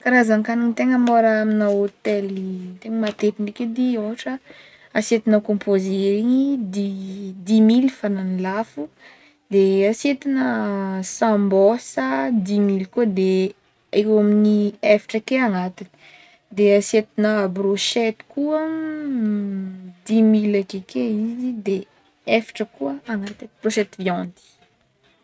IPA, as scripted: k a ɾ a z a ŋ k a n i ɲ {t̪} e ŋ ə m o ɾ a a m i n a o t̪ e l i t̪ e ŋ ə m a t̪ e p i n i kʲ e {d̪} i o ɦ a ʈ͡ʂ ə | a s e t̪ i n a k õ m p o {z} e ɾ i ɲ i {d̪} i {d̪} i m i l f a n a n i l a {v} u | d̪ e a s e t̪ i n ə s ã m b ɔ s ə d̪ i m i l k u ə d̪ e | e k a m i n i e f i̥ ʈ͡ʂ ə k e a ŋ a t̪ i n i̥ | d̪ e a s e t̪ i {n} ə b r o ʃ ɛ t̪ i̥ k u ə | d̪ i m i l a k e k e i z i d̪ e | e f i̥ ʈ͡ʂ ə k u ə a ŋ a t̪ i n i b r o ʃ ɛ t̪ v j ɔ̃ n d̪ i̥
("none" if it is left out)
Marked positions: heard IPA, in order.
t̪, d̪, z, d̪, d̪, f, n

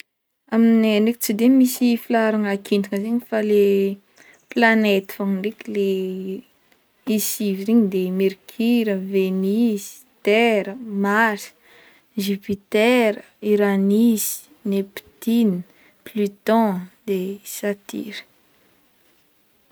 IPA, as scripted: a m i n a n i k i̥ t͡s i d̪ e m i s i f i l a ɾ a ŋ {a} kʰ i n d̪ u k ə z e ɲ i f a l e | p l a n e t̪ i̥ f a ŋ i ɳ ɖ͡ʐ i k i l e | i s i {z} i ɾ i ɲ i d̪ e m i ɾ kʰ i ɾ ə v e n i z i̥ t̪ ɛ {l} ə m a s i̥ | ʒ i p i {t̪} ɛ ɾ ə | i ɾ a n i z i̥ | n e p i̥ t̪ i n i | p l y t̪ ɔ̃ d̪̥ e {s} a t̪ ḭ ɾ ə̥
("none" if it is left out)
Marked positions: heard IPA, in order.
a, v, ɾ, t̪, s

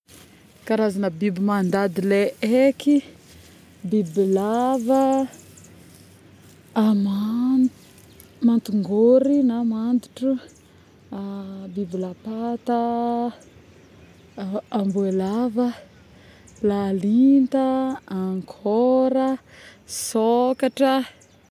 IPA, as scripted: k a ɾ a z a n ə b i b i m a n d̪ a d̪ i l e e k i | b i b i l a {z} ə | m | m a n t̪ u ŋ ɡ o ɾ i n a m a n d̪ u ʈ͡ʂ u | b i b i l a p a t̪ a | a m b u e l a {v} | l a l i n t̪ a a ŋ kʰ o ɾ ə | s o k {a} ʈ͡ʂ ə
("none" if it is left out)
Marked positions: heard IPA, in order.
v, v, a

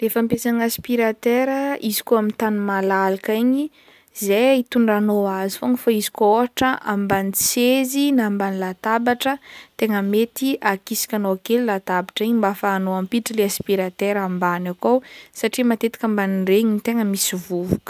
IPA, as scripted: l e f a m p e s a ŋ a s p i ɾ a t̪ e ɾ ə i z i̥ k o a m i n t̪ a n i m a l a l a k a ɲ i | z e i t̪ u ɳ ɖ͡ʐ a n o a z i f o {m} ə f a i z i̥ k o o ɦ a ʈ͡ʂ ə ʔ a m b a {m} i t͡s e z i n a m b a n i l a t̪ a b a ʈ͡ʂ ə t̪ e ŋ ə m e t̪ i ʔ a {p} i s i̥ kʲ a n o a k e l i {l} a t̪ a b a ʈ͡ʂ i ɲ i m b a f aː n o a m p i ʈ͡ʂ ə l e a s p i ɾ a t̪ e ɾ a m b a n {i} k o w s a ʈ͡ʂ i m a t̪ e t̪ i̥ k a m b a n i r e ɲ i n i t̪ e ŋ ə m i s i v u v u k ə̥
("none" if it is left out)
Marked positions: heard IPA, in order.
ŋ, n, k, l, a

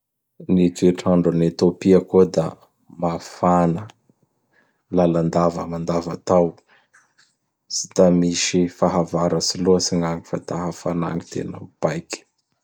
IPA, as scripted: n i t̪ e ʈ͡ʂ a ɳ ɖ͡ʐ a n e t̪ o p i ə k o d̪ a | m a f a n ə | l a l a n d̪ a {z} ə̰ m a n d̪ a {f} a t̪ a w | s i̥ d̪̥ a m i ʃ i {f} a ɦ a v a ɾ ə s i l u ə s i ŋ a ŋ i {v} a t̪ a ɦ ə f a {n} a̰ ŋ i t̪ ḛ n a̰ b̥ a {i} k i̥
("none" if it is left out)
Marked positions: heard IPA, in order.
v, v, f, f, n, j

